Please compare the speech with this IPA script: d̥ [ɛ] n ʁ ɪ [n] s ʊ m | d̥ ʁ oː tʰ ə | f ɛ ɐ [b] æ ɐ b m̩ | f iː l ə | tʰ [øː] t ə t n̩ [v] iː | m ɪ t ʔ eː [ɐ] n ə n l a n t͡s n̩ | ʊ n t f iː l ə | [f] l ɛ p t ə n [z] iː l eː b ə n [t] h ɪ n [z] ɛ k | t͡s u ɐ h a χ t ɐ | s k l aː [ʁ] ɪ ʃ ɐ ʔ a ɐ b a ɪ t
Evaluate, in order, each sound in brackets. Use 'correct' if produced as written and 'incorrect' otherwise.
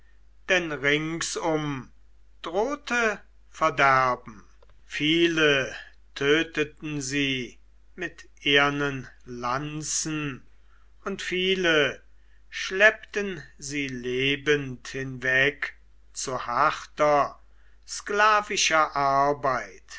correct, incorrect: ŋ, incorrect: d, correct, incorrect: z, correct, incorrect: ʃ, correct, correct, incorrect: v, incorrect: v

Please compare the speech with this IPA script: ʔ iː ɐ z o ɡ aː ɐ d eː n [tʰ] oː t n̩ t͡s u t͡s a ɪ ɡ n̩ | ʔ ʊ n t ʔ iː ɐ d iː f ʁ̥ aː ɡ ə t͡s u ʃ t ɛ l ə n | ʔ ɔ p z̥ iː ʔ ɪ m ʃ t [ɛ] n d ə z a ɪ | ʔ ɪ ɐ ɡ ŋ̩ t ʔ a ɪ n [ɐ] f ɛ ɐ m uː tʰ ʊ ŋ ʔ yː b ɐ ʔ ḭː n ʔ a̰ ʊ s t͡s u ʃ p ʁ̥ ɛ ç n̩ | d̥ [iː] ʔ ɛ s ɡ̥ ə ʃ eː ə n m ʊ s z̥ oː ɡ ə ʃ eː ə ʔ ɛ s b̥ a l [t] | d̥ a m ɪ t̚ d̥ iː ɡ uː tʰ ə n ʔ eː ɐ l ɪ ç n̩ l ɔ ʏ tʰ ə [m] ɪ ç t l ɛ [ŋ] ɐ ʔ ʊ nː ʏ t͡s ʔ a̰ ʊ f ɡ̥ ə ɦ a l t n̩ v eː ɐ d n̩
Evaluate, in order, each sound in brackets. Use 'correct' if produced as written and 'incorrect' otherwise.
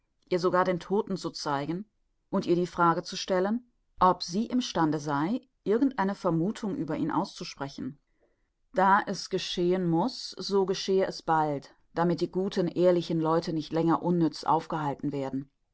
correct, incorrect: a, incorrect: ə, incorrect: aː, correct, incorrect: n, correct

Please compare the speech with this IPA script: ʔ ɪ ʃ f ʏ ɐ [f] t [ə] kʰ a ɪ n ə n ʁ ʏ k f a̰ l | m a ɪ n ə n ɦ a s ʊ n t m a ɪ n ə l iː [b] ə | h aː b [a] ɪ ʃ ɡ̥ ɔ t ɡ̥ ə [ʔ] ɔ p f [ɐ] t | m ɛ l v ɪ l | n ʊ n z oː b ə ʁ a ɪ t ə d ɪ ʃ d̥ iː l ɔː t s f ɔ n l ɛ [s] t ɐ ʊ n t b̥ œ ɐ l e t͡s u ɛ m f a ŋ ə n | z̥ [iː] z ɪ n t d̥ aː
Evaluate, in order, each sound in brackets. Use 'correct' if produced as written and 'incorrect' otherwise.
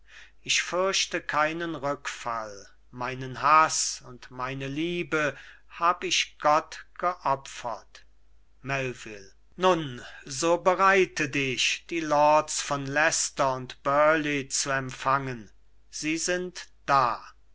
incorrect: ʃ, correct, correct, incorrect: ə, correct, correct, correct, correct

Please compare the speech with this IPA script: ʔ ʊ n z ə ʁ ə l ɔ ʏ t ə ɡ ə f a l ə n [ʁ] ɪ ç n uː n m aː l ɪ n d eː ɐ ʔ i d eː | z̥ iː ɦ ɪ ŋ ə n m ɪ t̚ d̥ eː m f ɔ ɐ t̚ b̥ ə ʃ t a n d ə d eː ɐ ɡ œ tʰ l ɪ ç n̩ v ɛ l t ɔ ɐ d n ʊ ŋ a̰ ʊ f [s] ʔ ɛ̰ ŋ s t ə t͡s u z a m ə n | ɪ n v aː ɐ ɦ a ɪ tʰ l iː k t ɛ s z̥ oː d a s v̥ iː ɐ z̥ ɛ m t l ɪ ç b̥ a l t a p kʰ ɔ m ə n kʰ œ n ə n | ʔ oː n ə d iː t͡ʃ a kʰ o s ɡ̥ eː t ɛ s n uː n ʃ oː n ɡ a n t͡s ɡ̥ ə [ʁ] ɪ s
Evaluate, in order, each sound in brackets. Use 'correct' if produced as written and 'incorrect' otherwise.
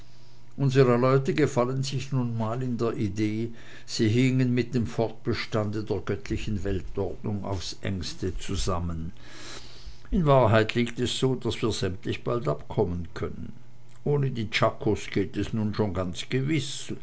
incorrect: z, correct, incorrect: v

